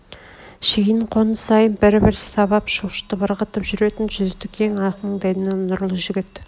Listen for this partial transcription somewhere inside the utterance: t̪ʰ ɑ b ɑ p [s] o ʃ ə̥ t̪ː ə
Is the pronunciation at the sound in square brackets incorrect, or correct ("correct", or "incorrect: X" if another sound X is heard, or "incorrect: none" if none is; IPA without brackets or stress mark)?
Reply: incorrect: ʃ